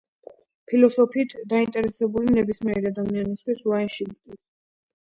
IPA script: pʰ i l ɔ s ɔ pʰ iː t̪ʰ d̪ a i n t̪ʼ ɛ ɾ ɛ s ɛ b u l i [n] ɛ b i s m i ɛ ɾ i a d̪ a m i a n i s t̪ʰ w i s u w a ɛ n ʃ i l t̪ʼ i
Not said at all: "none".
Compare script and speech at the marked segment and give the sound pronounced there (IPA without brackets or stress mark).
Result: n